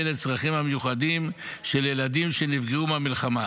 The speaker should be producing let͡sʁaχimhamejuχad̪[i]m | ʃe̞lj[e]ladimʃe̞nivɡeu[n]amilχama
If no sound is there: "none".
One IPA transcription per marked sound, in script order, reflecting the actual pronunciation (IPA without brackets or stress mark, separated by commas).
i, e, m